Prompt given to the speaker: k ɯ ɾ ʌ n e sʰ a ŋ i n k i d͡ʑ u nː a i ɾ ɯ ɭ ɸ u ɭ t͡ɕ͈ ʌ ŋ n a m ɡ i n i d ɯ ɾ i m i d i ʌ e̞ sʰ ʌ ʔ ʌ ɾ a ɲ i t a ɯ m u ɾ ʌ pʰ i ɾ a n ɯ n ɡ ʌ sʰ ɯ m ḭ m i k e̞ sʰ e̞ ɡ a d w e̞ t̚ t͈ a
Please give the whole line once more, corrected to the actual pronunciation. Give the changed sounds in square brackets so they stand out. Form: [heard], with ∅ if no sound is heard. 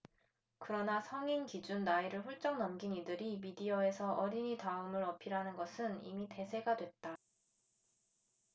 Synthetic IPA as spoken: k ɯ ɾ ʌ n [a] sʰ [ʌ] ŋ i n k i d͡ʑ u nː a i ɾ ɯ ɭ ɸ u ɭ t͡ɕ͈ ʌ ŋ n [ʌ] m ɡ i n i d ɯ ɾ i m i d i ʌ e̞ sʰ ʌ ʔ ʌ ɾ [i] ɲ i t a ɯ m [ɯ] ɾ ʌ pʰ i ɾ a n ɯ n ɡ ʌ sʰ ɯ [n] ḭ m i [t] e̞ sʰ e̞ ɡ a d w e̞ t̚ t͈ a

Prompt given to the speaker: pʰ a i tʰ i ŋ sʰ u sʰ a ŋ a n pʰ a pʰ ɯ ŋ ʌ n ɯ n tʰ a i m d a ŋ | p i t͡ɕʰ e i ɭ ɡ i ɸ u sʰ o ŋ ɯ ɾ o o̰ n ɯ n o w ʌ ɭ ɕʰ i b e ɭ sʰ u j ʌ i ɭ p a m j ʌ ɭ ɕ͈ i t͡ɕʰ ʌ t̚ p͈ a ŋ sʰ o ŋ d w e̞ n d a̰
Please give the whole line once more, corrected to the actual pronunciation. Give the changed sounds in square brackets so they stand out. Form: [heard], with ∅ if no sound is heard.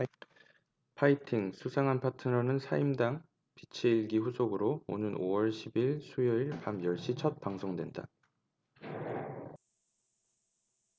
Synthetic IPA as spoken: pʰ a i tʰ i ŋ sʰ u sʰ a ŋ a n pʰ a [tʰ] ɯ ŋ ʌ n ɯ n [sʰ] a i m d a ŋ | p i t͡ɕʰ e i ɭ ɡ i ɸ u sʰ o [ɡ] ɯ ɾ o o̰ n ɯ n o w ʌ ɭ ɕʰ i b [i] ɭ sʰ u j ʌ i ɭ p a m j ʌ ɭ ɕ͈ i t͡ɕʰ ʌ t̚ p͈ a ŋ sʰ o ŋ d w e̞ n d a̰

